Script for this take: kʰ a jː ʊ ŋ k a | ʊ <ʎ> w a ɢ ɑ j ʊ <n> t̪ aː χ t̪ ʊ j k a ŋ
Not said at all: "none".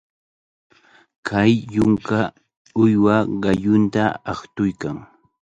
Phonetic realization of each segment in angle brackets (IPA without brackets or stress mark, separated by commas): j, n